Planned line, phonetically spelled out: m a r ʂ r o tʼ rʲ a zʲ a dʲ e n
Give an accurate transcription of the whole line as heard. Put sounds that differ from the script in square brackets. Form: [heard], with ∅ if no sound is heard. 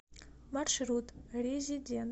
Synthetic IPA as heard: m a r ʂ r [u] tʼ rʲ [e] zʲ [i] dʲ e n